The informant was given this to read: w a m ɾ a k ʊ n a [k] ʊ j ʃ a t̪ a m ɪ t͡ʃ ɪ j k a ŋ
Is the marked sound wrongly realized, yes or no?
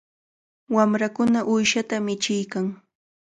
yes